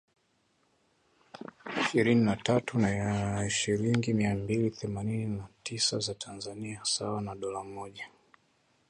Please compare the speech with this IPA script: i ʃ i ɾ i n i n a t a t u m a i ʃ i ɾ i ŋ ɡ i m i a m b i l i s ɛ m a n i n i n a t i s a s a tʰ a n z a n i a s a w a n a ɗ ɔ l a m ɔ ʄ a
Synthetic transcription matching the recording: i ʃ i ɾ i n i n a t a t u n a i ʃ i ɾ i ŋ ɡ i m i a m b i l i θ ɛ m a n i n i n a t i s a z a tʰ a n z a n i a s a w a n a ɗ ɔ l a m ɔ ʄ a